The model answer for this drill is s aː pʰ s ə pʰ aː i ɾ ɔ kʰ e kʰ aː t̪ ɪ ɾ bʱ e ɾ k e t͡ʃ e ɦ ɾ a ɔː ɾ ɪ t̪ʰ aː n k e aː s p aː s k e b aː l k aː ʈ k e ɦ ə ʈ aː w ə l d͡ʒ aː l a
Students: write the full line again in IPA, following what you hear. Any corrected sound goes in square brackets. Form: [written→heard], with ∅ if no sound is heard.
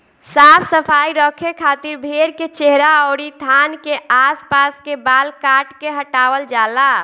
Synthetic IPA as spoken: s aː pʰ s ə pʰ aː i ɾ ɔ kʰ e kʰ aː t̪ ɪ ɾ bʱ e ɾ k e t͡ʃ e ɦ ɾ a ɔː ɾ [ɪ→i] t̪ʰ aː n k e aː s p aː s k e b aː l k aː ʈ k e ɦ ə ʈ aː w ə l d͡ʒ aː l a